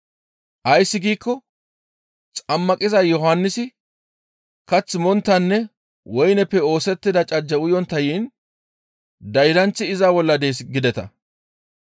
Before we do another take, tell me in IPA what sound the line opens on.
ʔ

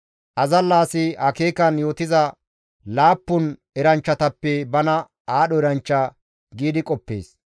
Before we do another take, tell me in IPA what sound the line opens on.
ʔ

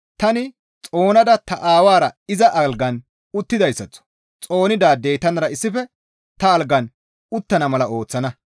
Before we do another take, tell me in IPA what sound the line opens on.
t̪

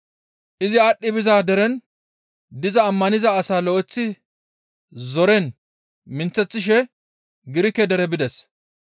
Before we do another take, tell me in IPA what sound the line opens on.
ʔ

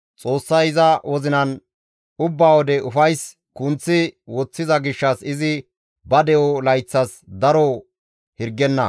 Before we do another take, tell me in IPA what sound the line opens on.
t͡sʼ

